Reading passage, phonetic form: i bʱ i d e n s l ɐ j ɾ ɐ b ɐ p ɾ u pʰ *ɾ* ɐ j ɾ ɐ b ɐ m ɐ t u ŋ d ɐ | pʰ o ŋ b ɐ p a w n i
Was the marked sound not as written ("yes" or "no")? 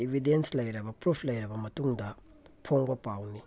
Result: yes